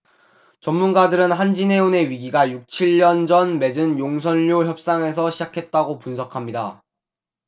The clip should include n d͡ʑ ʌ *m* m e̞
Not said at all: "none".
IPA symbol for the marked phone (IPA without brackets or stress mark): n